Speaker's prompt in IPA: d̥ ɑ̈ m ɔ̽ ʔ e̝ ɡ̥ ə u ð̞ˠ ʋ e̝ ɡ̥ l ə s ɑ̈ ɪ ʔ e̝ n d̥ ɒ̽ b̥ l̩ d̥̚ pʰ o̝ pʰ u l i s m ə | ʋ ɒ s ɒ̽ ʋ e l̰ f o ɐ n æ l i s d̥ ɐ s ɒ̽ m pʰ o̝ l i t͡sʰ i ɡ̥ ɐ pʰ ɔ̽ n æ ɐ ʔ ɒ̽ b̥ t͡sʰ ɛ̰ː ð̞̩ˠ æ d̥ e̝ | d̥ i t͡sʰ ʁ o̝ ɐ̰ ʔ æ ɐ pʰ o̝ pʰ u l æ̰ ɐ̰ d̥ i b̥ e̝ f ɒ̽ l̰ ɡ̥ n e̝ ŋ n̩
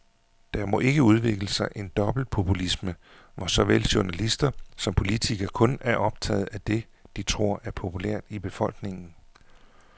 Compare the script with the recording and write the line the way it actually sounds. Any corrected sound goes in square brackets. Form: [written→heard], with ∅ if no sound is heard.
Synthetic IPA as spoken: d̥ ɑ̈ m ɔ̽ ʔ e̝ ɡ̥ ə u ð̞ˠ ʋ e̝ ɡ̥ l ə s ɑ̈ ɪ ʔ e̝ n d̥ ɒ̽ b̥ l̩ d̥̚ pʰ o̝ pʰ u l i s m ə | ʋ ɒ s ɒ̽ ʋ e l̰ [f→ɕ] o ɐ n æ l i s d̥ ɐ s ɒ̽ m pʰ o̝ l i t͡sʰ i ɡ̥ ɐ [pʰ→kʰ] ɔ̽ n æ ɐ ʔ ɒ̽ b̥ t͡sʰ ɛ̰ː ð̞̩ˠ æ d̥ e̝ | d̥ i t͡sʰ ʁ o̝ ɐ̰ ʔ æ ɐ pʰ o̝ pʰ u l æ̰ ɐ̰ d̥ i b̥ e̝ f ɒ̽ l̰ ɡ̥ n e̝ ŋ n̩